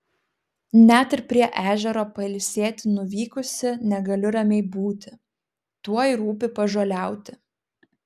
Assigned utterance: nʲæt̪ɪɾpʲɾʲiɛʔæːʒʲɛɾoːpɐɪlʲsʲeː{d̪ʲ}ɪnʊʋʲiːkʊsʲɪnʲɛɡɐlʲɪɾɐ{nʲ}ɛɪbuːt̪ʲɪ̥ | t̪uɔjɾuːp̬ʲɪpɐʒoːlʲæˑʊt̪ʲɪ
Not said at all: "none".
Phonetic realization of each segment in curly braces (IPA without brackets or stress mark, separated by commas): t̪ʲ, mʲ